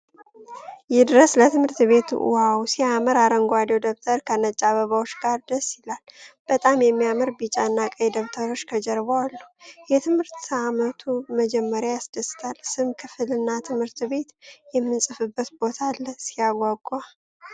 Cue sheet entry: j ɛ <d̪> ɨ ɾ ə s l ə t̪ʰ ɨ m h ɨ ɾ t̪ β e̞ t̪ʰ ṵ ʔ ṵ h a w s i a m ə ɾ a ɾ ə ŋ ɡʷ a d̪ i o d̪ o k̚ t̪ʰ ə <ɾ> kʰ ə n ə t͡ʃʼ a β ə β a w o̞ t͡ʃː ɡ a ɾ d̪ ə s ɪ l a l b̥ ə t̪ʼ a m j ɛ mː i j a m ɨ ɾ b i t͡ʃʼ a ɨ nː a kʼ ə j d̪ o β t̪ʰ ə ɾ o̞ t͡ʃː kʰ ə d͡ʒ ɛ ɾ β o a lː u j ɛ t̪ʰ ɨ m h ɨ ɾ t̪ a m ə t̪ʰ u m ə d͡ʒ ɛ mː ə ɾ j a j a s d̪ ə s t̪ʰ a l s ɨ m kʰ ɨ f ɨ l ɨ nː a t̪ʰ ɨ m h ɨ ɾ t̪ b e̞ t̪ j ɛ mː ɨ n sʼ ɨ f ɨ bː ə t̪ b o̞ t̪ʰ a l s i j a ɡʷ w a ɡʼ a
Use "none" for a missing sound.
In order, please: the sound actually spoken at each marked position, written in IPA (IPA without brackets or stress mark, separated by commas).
d̪, ɾ